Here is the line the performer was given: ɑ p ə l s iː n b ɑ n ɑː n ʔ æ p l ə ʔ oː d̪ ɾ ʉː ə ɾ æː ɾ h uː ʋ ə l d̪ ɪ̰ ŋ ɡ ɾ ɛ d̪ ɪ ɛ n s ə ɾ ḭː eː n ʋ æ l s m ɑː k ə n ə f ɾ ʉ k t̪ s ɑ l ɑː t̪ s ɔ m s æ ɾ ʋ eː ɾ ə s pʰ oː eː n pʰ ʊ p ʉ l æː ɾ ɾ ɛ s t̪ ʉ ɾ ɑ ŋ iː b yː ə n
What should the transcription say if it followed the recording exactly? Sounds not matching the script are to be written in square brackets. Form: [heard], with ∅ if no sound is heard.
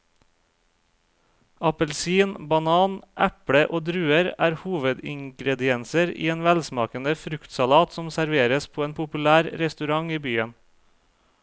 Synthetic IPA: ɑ p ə l s iː n b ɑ n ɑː n ʔ æ p [ɽ] ə ʔ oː d̪ ɾ ʉː ə ɾ æː ɾ h uː ʋ ə [∅] d̪ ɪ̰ ŋ ɡ ɾ ɛ d̪ ɪ ɛ n s ə ɾ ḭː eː n ʋ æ l s m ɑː k ə n ə f ɾ ʉ k t̪ s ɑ l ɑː t̪ s ɔ m s æ ɾ ʋ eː ɾ ə s pʰ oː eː n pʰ ʊ p ʉ l æː ɾ ɾ ɛ s t̪ ʉ ɾ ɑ ŋ iː b yː ə n